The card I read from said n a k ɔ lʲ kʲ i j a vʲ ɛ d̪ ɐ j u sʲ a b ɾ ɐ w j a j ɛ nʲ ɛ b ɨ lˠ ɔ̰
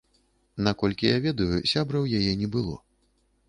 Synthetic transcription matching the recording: n a k ɔ lʲ kʲ i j a vʲ ɛ d̪ ɐ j u sʲ a b ɾ ɐ w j a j ɛ nʲ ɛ b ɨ lˠ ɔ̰